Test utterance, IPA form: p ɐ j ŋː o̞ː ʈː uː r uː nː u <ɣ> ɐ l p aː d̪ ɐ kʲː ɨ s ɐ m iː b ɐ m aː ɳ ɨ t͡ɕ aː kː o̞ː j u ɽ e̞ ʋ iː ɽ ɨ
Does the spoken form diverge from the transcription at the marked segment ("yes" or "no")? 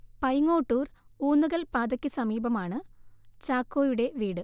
no